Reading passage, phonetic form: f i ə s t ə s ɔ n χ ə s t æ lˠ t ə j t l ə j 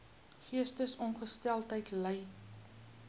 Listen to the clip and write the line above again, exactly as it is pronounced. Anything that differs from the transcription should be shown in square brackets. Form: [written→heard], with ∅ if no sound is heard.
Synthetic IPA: [f→χ] i ə s t ə s ɔ n χ ə s t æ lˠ t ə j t l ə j